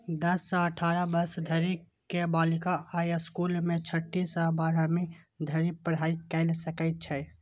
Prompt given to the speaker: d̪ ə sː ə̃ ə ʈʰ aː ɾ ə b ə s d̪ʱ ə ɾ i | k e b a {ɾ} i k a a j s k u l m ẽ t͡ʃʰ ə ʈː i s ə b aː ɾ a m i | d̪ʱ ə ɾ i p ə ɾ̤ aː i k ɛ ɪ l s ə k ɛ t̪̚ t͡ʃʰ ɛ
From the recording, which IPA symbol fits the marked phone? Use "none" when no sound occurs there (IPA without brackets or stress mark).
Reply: l